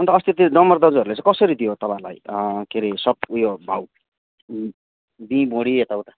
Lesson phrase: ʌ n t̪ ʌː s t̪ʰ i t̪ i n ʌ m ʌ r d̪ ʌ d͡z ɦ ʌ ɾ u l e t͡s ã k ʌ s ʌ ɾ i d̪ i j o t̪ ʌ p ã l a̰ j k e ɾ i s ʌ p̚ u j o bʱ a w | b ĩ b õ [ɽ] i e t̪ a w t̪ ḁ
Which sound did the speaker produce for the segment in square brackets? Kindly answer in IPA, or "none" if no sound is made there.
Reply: ɽ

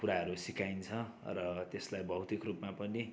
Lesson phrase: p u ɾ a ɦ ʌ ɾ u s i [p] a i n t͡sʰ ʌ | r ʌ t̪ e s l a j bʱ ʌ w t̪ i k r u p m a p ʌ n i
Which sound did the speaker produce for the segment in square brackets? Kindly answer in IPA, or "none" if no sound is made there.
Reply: k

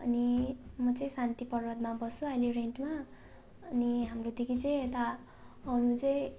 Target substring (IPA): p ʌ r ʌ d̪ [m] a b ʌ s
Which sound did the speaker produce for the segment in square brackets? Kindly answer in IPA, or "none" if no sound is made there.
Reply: m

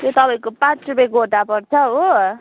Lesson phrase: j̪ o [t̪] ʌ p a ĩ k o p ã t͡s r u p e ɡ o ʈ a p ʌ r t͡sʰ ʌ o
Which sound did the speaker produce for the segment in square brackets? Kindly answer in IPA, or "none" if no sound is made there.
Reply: t̪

